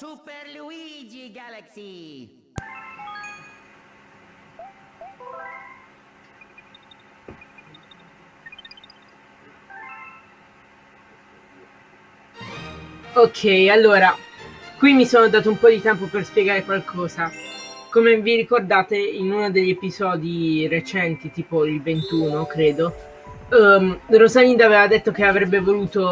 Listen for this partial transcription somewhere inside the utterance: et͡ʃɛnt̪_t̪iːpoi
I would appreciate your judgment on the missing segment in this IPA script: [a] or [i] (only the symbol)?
i